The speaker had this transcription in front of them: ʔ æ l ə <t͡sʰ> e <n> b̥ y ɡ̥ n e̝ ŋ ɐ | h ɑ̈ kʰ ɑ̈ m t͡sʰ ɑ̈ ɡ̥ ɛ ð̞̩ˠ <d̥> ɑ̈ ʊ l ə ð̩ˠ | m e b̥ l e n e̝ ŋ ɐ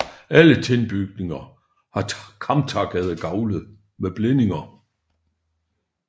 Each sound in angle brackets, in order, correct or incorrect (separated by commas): correct, correct, incorrect